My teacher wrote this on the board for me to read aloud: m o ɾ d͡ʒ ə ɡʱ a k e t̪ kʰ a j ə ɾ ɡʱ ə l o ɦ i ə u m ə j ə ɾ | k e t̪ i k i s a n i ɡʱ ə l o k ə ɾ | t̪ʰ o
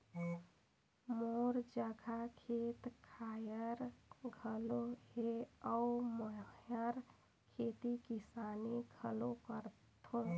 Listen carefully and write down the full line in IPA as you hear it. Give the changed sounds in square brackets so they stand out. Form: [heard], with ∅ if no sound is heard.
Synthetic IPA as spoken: m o ɾ d͡ʒ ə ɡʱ a [kʰ] e t̪ kʰ a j ə ɾ ɡʱ ə l o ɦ [e] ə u m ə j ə ɾ | [kʰ] e t̪ i k i s a n i ɡʱ ə l o k ə ɾ | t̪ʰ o